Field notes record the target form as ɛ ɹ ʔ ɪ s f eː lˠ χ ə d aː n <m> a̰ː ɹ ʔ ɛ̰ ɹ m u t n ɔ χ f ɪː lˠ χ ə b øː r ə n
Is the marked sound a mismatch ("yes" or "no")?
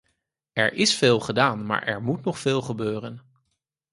no